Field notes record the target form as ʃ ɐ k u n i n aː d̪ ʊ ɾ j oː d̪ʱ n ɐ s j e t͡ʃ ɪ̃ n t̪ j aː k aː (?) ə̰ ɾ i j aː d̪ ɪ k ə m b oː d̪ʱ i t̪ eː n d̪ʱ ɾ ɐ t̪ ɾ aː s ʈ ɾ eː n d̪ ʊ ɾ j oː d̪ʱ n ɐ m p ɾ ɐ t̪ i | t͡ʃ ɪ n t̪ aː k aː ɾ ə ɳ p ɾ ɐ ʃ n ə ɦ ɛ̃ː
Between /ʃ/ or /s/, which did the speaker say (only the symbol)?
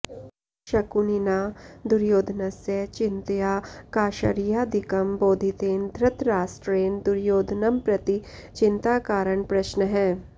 ʃ